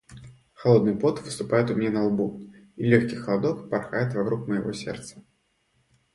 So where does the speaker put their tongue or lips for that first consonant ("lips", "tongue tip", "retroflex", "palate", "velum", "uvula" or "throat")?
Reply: velum